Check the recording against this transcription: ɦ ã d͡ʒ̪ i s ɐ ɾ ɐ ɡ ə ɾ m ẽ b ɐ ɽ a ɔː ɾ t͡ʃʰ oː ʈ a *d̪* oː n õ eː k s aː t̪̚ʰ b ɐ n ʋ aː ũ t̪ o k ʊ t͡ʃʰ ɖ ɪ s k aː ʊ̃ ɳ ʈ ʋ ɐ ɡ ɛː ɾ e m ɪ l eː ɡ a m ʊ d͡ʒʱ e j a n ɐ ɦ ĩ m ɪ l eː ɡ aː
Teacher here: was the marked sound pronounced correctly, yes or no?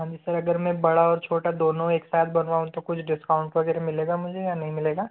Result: yes